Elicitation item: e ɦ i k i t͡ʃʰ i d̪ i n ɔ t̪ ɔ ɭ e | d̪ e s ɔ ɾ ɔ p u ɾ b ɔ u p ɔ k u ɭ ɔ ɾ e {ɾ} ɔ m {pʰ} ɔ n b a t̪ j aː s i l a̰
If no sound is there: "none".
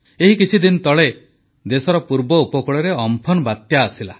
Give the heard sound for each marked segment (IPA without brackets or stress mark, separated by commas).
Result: none, pʰ